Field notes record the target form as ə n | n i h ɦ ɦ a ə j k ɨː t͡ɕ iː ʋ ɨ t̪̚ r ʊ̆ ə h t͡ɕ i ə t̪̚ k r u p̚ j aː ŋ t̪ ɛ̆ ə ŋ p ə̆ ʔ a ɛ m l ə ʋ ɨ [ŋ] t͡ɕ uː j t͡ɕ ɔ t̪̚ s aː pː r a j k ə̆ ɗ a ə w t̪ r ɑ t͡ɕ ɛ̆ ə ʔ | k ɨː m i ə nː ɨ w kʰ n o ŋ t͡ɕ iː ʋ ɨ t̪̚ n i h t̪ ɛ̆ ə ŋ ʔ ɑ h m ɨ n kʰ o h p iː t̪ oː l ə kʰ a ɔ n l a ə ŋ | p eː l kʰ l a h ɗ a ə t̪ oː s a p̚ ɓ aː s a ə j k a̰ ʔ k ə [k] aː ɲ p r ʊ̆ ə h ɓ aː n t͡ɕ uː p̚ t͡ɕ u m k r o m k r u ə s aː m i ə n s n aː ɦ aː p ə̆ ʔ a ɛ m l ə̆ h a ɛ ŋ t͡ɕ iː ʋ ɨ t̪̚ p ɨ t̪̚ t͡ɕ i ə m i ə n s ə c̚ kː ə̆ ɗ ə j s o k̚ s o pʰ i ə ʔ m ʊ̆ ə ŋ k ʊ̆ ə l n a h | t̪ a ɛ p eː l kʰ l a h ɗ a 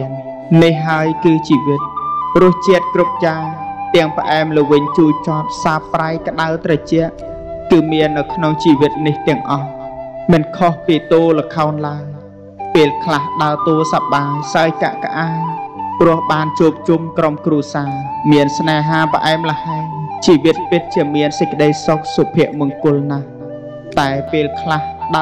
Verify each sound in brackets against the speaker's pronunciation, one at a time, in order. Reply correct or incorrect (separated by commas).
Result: incorrect, incorrect